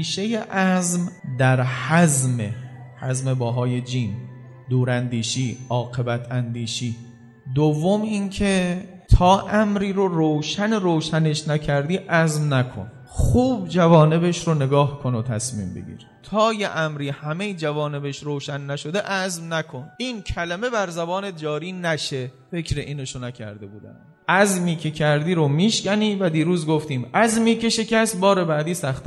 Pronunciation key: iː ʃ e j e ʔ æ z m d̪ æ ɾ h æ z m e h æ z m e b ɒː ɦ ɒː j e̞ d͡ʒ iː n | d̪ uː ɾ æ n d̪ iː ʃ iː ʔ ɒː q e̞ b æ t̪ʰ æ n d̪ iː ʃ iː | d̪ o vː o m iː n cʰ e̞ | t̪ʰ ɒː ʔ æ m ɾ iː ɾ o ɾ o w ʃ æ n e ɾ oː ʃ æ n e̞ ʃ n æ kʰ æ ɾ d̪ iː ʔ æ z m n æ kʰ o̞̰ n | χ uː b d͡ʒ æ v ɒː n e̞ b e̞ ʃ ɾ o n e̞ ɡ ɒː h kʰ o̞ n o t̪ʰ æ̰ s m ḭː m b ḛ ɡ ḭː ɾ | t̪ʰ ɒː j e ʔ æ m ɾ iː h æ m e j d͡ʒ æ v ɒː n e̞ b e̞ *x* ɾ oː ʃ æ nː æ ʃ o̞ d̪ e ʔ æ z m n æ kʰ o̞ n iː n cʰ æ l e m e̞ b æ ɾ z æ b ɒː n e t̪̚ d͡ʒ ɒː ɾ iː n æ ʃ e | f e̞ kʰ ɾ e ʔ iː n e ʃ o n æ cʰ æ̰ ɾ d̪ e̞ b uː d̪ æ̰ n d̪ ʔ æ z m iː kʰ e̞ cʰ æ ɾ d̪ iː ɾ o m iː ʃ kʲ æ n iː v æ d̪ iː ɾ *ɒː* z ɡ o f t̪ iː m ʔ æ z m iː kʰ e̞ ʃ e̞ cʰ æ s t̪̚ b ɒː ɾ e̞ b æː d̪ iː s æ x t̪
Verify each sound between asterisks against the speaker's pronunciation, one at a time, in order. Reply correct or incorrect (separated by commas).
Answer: incorrect, incorrect